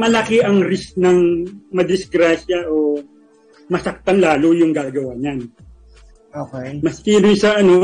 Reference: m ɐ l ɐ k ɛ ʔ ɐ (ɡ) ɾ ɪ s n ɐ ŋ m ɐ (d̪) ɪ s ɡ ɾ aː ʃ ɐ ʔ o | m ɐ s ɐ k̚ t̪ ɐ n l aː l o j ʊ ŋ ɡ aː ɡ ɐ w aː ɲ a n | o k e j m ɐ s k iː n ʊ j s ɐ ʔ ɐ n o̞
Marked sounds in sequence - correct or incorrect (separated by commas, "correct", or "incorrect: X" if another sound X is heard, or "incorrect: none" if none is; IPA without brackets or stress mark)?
incorrect: ŋ, correct